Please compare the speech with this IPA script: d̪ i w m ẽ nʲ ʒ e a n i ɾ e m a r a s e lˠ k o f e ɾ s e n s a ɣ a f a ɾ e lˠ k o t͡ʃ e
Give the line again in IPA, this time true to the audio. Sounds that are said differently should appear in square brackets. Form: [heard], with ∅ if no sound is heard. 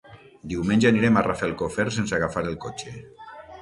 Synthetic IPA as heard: d̪ i w m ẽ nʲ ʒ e a n i ɾ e m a r a [f] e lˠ k o f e ɾ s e n s a ɣ a f a ɾ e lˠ k o t͡ʃ e